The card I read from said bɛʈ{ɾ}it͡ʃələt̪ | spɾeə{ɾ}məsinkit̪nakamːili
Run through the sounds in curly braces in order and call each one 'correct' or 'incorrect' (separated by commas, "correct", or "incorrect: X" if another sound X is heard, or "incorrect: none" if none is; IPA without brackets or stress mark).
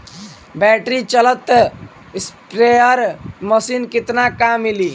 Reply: correct, correct